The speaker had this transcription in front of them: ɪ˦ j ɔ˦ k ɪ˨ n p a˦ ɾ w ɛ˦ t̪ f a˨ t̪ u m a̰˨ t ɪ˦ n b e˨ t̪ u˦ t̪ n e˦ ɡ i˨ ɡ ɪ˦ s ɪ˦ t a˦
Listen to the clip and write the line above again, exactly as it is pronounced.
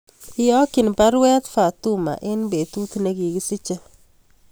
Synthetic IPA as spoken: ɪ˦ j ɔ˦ k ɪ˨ n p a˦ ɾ w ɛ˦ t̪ f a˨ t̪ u m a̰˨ ʔ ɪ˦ n b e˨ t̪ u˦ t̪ n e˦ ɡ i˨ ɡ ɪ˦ s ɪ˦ t͡ʃ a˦